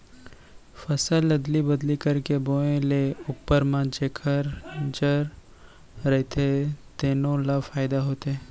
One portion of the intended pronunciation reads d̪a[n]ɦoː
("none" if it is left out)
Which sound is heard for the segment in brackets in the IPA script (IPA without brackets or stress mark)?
none